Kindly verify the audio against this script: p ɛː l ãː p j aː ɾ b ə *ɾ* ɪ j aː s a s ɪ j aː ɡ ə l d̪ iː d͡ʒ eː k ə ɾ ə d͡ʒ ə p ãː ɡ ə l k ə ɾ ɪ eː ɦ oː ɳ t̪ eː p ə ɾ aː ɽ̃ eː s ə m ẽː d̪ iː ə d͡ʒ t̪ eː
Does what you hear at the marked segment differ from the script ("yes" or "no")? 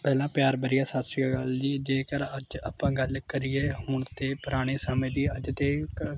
no